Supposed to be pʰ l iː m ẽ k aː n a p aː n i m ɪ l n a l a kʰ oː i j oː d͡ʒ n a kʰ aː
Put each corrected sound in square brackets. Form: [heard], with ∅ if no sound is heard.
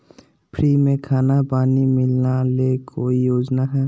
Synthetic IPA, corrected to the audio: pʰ [ɾ] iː m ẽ [kʰ] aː n a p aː n i m ɪ l n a l [e] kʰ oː i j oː d͡ʒ n a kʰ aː